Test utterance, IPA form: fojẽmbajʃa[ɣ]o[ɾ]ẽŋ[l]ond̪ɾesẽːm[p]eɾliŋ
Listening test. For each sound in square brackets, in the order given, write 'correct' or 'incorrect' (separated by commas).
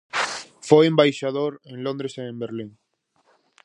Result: incorrect, correct, correct, incorrect